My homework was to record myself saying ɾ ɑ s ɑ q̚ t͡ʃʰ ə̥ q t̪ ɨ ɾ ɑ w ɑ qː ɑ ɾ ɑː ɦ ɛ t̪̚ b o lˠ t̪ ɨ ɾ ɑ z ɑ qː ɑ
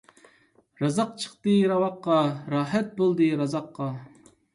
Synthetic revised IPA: ɾ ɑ z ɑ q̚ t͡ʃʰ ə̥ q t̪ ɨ ɾ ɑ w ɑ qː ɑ ɾ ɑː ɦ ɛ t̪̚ b o lˠ d̪ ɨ ɾ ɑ z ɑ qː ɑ